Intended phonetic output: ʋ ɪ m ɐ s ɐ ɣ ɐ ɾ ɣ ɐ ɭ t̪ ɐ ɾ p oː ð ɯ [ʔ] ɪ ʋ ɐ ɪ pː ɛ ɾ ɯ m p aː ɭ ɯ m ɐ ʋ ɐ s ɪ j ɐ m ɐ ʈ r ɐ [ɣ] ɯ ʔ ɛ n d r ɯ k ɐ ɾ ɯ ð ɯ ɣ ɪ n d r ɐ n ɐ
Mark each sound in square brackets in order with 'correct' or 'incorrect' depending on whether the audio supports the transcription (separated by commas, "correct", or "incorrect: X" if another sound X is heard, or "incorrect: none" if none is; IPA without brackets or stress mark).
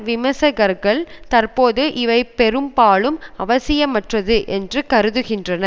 correct, incorrect: ð